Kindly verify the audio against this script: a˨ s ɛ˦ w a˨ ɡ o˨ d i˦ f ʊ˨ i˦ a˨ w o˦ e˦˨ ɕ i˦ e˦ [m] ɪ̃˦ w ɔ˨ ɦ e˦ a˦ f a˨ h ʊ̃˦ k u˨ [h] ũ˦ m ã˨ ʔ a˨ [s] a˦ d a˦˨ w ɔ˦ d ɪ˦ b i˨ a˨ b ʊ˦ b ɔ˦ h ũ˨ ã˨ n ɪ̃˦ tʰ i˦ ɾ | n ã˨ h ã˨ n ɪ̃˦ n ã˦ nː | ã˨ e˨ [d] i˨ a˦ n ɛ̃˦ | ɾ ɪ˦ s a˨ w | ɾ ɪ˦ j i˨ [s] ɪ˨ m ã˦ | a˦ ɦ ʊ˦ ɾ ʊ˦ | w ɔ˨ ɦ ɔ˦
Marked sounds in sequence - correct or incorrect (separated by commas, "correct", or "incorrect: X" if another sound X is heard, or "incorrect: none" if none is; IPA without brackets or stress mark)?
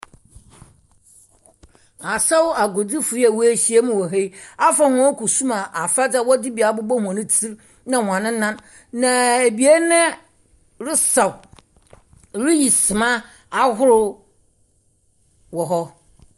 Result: correct, incorrect: s, incorrect: f, incorrect: b, correct